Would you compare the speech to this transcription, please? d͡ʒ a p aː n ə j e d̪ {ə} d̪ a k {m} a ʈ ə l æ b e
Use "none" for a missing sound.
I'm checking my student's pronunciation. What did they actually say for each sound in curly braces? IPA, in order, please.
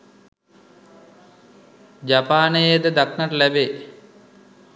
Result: ə, n

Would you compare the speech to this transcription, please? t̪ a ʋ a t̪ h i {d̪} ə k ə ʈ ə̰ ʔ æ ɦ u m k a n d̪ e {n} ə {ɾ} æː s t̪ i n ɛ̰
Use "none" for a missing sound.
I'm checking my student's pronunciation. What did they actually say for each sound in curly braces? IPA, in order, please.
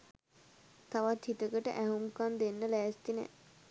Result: t̪, nː, l

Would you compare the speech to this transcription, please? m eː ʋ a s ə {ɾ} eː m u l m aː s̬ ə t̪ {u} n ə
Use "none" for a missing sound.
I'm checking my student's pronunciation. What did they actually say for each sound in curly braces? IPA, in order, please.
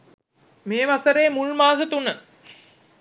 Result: ɾ, u

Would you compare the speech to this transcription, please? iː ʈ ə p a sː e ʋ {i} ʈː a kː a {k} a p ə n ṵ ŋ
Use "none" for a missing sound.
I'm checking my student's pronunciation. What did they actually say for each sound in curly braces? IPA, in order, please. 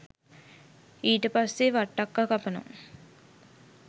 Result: a, k

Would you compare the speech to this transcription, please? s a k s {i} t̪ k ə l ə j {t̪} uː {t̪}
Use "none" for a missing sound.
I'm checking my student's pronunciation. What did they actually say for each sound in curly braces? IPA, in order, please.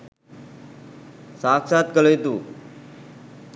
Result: a, t̪, none

